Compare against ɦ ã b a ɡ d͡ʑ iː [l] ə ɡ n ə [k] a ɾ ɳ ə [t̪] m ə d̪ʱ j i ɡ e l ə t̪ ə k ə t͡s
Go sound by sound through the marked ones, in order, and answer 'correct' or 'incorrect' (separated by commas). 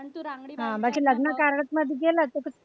correct, correct, correct